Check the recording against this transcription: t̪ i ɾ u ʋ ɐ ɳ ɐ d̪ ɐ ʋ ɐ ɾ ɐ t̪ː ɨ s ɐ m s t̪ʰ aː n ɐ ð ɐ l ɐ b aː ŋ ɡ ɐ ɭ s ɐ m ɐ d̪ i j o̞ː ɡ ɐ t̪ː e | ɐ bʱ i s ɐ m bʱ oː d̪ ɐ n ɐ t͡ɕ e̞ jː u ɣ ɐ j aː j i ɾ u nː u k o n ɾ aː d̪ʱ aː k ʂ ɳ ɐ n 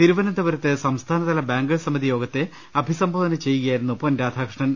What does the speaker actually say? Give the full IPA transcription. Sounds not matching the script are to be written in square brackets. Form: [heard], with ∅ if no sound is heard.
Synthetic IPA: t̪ i ɾ u ʋ ɐ [n] ɐ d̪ ɐ ʋ ɐ ɾ ɐ t̪ː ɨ s ɐ m s t̪ʰ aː n ɐ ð ɐ l ɐ b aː ŋ ɡ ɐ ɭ s ɐ m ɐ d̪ i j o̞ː ɡ ɐ t̪ː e | ɐ bʱ i s ɐ m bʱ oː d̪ ɐ n ɐ t͡ɕ e̞ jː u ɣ ɐ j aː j i ɾ u nː u [p] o n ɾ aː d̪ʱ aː k ʂ ɳ ɐ n

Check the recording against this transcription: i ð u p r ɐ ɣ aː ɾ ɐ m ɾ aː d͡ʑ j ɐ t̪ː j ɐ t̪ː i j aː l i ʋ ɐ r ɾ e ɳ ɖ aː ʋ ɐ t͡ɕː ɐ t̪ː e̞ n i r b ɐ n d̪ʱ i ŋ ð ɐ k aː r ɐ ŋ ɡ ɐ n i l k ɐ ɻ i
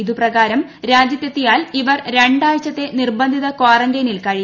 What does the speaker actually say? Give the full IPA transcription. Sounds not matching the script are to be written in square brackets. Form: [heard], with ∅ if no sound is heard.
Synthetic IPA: i ð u p r ɐ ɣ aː ɾ ɐ m ɾ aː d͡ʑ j ɐ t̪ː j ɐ t̪ː i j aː l i ʋ ɐ r ɾ e ɳ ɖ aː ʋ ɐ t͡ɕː ɐ t̪ː e̞ n i r b ɐ n d̪ʱ i [∅] ð ɐ k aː r ɐ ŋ ɡ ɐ n i l k ɐ ɻ i

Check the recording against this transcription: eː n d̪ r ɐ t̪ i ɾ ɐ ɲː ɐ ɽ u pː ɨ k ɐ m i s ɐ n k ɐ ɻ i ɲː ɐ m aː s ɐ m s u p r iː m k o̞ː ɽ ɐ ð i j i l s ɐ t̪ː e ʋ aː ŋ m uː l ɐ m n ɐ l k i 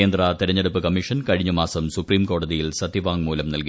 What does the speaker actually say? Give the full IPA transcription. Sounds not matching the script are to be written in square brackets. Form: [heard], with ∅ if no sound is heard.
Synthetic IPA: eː n d̪ r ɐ t̪ i ɾ ɐ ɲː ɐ ɽ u pː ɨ k ɐ m i [ʂ] ɐ n k ɐ ɻ i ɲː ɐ m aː s ɐ m s u p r iː m k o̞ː ɽ ɐ ð i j i l s ɐ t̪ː [i] ʋ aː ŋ m uː l ɐ m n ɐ l k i

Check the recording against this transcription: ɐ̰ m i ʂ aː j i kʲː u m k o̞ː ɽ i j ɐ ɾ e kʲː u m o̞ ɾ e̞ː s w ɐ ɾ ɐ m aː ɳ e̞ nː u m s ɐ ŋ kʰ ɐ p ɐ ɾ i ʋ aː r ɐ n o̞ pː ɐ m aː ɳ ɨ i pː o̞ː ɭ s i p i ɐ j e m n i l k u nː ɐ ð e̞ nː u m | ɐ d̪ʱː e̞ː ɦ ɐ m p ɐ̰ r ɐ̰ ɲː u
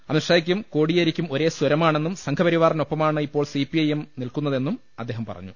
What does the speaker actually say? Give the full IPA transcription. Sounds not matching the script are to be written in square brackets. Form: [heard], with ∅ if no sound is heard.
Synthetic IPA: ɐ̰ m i ʂ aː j i kʲː u m k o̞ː ɽ i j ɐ ɾ [i] kʲː u m o̞ ɾ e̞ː s w ɐ ɾ ɐ m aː ɳ e̞ nː u m s ɐ ŋ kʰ ɐ p ɐ ɾ i ʋ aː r ɐ n o̞ pː ɐ m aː ɳ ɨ i pː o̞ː ɭ s i p i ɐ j e m n i l k u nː ɐ ð e̞ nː u m | ɐ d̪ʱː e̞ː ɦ ɐ m p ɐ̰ r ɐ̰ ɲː u

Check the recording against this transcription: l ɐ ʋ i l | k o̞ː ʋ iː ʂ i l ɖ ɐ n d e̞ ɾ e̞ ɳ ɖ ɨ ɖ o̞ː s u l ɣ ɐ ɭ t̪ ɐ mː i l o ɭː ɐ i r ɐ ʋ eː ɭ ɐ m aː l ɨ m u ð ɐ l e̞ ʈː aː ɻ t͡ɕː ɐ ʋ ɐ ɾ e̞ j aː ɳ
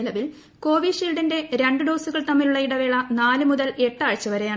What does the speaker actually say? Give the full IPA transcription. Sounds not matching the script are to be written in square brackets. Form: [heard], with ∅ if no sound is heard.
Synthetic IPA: l ɐ ʋ i l | k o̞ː ʋ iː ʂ i l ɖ ɐ n d e̞ ɾ e̞ ɳ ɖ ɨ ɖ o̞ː s u [∅] ɣ ɐ ɭ t̪ ɐ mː i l [u] ɭː ɐ i [ɽ] ɐ ʋ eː ɭ ɐ [n] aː l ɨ m u ð ɐ l e̞ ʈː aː ɻ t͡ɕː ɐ ʋ ɐ ɾ e̞ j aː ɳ

